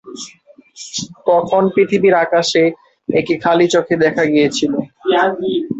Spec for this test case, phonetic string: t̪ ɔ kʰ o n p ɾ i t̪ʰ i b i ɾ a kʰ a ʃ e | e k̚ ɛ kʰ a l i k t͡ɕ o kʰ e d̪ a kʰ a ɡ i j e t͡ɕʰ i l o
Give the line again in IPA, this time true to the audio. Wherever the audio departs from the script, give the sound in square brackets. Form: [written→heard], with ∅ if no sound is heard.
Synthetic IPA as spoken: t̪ ɔ kʰ o n p ɾ i t̪ʰ i b i ɾ a [kʰ→k] a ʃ e | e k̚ [ɛ→i] kʰ a l i [k→∅] t͡ɕ o kʰ e d̪ [a→ɛ] kʰ a ɡ i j e t͡ɕʰ i l o